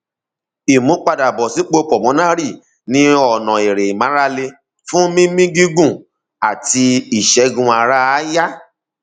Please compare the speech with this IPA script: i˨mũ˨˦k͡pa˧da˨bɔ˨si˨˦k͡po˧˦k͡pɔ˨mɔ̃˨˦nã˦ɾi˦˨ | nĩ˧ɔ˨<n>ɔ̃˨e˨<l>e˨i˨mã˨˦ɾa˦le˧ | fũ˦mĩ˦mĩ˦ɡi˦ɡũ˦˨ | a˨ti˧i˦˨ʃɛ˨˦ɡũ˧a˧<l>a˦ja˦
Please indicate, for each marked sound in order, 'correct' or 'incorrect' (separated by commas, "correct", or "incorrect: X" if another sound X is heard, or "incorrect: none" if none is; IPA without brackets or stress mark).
correct, incorrect: ɾ, incorrect: ɾ